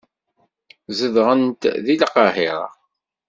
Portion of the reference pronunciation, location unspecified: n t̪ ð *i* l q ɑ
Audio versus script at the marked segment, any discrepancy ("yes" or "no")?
no